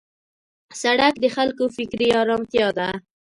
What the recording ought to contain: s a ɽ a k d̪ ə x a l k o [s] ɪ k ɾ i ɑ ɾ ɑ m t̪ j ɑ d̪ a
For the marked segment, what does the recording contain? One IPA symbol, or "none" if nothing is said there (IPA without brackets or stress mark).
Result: f